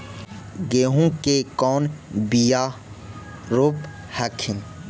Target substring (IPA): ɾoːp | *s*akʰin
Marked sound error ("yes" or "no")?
yes